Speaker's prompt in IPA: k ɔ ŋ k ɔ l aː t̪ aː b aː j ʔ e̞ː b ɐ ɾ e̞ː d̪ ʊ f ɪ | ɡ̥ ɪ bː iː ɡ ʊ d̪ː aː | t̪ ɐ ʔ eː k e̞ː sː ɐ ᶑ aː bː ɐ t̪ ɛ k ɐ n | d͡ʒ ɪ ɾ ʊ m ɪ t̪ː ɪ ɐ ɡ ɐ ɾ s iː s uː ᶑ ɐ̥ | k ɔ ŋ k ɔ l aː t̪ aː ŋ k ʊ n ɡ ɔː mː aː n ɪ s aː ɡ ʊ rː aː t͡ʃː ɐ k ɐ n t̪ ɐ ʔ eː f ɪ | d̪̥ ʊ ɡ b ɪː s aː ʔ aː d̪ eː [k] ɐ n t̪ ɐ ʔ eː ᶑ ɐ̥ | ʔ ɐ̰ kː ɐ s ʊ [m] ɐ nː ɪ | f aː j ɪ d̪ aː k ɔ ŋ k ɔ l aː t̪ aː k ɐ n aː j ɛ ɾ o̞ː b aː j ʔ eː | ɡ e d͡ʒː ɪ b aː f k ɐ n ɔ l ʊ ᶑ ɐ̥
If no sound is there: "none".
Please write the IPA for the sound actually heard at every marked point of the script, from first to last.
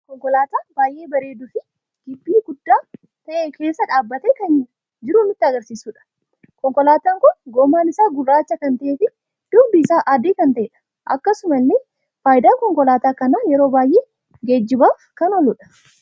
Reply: k, m

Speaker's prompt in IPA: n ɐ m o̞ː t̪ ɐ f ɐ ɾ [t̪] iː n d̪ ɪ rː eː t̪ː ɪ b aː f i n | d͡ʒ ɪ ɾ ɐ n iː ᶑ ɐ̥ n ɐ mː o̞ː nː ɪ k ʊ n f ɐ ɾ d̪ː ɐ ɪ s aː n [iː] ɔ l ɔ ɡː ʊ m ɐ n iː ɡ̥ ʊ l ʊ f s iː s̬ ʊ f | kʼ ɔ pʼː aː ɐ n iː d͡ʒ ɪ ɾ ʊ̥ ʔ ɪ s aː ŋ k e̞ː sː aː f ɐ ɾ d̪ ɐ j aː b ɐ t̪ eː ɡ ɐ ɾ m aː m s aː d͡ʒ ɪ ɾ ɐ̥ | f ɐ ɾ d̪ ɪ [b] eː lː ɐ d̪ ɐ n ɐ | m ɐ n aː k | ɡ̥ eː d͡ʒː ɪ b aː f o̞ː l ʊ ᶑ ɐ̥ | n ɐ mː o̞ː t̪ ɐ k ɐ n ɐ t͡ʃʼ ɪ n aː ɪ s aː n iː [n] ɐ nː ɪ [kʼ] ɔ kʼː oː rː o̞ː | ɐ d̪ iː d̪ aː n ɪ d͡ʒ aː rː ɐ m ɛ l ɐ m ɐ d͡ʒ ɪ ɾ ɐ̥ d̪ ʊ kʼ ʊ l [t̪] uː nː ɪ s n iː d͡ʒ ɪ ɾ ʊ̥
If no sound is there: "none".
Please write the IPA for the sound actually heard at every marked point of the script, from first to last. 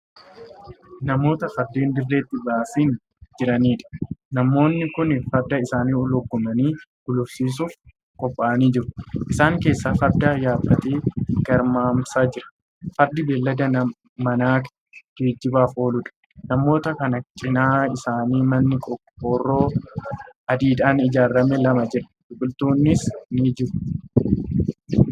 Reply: d̪, iː, b, m, kʼ, t̪

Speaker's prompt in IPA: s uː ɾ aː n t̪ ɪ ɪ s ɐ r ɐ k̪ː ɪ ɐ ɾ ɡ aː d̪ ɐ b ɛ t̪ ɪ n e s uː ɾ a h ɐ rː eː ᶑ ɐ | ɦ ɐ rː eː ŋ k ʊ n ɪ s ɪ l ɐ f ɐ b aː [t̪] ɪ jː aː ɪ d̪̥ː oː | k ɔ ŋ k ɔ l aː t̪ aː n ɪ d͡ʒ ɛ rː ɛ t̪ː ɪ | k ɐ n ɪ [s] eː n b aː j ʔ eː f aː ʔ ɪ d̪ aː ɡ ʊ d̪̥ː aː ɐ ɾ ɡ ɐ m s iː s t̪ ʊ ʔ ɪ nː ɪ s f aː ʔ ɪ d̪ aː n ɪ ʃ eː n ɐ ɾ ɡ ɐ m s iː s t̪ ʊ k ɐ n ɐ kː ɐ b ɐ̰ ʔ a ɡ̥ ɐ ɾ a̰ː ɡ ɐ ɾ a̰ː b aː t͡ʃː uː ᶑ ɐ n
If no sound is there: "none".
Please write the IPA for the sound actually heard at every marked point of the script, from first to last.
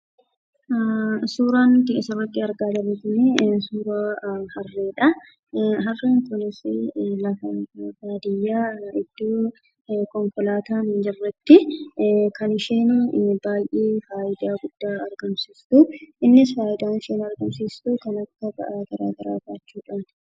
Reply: d̪, ʃ

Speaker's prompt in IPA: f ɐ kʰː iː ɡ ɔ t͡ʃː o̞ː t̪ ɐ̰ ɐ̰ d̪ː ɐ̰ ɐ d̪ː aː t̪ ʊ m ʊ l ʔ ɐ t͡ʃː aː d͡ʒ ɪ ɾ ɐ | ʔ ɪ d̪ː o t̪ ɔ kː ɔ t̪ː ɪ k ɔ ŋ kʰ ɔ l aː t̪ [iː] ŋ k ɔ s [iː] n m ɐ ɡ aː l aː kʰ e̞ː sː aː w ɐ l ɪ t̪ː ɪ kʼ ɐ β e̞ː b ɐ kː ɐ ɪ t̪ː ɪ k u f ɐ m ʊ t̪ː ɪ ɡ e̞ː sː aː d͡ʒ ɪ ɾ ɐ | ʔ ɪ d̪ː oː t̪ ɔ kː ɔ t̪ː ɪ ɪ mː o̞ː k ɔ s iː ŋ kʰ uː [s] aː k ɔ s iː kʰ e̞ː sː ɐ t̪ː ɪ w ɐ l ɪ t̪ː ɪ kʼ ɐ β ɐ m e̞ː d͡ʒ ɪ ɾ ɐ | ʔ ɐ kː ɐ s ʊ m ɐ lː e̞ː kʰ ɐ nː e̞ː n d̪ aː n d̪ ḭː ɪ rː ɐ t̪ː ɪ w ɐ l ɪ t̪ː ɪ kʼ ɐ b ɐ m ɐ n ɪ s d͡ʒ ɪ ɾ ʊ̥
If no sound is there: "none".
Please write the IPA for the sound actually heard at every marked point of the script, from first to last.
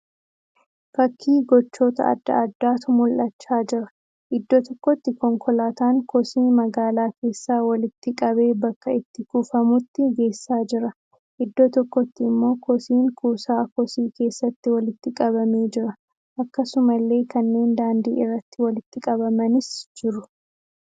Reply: aː, iː, s

